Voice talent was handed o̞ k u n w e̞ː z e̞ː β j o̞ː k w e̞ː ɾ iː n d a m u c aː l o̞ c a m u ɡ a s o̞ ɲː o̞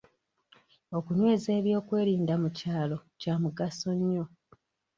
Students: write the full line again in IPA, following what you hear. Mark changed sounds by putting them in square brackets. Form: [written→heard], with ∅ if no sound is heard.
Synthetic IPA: o̞ k u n w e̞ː z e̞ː β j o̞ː k w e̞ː ɾ iː n d a m u c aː l o̞ c a m u ɡ a s o̞ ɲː o̞